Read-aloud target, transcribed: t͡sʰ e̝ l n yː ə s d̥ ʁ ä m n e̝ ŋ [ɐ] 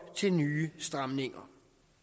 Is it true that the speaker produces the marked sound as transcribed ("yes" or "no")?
yes